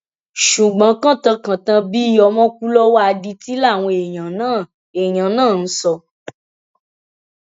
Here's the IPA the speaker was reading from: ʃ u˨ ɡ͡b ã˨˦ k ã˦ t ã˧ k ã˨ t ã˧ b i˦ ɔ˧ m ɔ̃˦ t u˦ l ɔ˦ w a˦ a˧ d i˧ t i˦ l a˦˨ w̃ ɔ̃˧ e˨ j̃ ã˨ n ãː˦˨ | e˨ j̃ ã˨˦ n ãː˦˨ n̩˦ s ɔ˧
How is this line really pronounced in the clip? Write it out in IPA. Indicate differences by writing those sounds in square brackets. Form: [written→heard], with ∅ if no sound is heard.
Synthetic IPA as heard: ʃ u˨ ɡ͡b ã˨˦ k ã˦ t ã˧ k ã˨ t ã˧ b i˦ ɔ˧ m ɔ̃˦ [t→k] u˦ l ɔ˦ w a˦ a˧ d i˧ t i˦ l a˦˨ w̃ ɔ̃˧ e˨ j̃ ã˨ n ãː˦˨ | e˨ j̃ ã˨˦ n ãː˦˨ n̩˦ s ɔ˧